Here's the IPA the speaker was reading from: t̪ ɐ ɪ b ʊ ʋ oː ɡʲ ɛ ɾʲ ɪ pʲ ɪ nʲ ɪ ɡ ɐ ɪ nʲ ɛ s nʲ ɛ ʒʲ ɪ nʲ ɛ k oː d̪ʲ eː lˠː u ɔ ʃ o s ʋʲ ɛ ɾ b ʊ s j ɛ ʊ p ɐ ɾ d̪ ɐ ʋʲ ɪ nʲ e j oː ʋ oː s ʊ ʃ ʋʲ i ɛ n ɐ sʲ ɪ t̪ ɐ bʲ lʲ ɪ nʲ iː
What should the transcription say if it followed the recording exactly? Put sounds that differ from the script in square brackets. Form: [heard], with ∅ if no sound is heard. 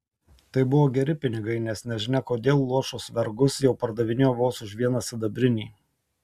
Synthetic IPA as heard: t̪ ɐ ɪ b ʊ ʋ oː ɡʲ ɛ ɾʲ ɪ pʲ ɪ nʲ ɪ ɡ ɐ ɪ nʲ ɛ s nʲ ɛ ʒʲ ɪ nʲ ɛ k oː d̪ʲ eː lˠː u ɔ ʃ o s ʋʲ ɛ ɾ [ɡ] ʊ s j ɛ ʊ p ɐ ɾ d̪ ɐ ʋʲ ɪ nʲ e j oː ʋ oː s ʊ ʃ ʋʲ i ɛ n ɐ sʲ ɪ [d̪] ɐ bʲ [ɾʲ] ɪ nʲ iː

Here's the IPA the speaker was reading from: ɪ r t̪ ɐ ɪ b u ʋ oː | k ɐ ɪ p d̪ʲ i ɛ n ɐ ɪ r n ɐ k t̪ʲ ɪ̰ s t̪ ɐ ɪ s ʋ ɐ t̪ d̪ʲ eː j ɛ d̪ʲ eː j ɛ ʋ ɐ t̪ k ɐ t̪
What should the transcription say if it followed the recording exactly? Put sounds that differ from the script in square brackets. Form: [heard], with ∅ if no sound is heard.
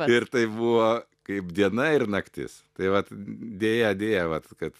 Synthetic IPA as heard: ɪ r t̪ ɐ ɪ b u ʋ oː | k ɐ ɪ p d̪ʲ i ɛ n ɐ ɪ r n ɐ k t̪ʲ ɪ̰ s t̪ ɐ ɪ [∅] ʋ ɐ t̪ d̪ʲ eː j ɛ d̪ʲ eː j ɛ ʋ ɐ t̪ k ɐ t̪

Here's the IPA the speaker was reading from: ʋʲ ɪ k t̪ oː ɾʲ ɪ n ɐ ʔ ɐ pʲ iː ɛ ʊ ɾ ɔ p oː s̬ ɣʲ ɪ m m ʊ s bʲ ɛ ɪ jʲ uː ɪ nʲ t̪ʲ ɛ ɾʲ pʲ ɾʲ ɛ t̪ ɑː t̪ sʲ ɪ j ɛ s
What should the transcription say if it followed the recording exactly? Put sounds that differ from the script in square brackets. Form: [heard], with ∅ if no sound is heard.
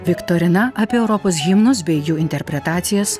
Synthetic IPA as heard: ʋʲ ɪ k t̪ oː ɾʲ ɪ n ɐ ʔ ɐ pʲ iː ɛ ʊ ɾ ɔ p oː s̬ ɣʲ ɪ m [n] ʊ s bʲ ɛ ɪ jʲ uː ɪ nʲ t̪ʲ ɛ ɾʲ pʲ ɾʲ ɛ t̪ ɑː t̪ sʲ ɪ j ɛ s

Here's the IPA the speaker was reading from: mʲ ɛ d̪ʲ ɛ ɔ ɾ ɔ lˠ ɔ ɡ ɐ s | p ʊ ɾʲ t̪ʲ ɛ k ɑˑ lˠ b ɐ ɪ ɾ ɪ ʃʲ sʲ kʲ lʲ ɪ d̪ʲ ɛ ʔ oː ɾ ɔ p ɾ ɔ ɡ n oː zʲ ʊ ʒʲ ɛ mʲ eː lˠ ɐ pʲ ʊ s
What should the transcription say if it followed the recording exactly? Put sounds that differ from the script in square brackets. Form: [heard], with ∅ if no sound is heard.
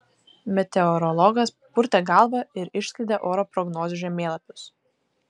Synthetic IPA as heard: mʲ ɛ [t̪ʲ] ɛ ɔ ɾ ɔ lˠ ɔ ɡ ɐ s | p ʊ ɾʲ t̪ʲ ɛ [ɡ] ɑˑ lˠ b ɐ ɪ ɾ ɪ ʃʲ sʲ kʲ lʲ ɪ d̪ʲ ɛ ʔ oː ɾ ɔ p ɾ ɔ ɡ n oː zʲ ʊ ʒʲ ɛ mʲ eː lˠ ɐ pʲ ʊ s

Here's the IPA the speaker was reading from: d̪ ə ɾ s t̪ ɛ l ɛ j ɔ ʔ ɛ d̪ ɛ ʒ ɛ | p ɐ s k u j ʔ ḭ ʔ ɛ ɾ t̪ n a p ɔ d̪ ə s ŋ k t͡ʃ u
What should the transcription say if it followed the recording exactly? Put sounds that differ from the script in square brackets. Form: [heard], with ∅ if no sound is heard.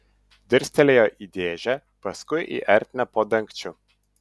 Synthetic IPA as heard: d̪ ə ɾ s t̪ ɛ l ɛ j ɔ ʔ [i] d̪ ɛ ʒ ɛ | p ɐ s k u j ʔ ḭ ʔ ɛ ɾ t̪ n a p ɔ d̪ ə [∅] ŋ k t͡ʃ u

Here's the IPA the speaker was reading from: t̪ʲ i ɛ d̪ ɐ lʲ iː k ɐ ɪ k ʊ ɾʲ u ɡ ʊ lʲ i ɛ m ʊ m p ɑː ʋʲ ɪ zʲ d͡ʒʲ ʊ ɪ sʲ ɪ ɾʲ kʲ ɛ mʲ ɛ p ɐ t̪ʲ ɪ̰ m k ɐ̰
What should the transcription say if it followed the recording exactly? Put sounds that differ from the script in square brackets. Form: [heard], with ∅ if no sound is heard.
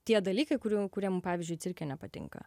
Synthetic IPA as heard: t̪ʲ i ɛ d̪ ɐ lʲ iː k ɐ ɪ k ʊ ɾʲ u [k] ʊ [ɾʲ] i ɛ m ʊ m p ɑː ʋʲ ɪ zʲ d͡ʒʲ ʊ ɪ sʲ ɪ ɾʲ kʲ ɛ [nʲ] ɛ p ɐ t̪ʲ ɪ̰ [ŋ] k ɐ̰

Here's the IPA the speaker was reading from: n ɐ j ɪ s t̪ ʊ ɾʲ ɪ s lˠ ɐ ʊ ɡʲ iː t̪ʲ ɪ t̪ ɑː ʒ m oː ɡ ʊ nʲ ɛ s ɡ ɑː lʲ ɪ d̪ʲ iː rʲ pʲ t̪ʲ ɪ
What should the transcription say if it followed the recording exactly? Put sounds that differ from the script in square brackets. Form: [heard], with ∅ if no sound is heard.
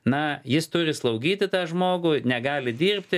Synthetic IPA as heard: n ɐ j ɪ s t̪ ʊ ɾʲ ɪ s lˠ ɐ ʊ ɡʲ iː t̪ʲ ɪ t̪ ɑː ʒ m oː ɡ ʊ nʲ ɛ [∅] ɡ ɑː lʲ ɪ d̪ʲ iː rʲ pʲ t̪ʲ ɪ

